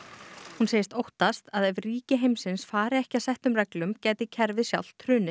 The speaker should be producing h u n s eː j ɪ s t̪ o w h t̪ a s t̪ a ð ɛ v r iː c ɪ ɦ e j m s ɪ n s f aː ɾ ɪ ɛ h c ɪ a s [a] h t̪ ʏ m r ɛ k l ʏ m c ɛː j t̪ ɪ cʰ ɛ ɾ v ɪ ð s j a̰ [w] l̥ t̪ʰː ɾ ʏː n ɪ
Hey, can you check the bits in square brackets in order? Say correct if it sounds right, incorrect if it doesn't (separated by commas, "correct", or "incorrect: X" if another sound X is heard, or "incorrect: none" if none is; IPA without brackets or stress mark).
incorrect: ɛ, correct